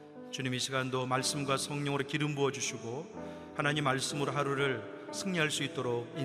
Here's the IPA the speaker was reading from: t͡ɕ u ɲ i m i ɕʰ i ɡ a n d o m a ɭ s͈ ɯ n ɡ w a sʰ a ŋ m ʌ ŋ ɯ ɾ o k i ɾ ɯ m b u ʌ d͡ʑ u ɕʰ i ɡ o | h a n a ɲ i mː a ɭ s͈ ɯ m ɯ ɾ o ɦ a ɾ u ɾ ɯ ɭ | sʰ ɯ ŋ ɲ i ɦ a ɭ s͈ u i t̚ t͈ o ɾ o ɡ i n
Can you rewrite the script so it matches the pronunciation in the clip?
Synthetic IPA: t͡ɕ u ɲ i m i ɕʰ i ɡ a n d o m a ɭ s͈ ɯ m ɡ w a sʰ ʌ ŋ ɲ ʌ ŋ ɯ ɾ o k i ɾ ɯ m b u ʌ d͡ʑ u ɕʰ i ɡ o | h a n a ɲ i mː a ɭ s͈ ɯ m ɯ ɾ o ɦ a ɾ u ɾ ɯ ɭ | sʰ ɯ ŋ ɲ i ɦ a ɭ s͈ u i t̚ t͈ o ɾ o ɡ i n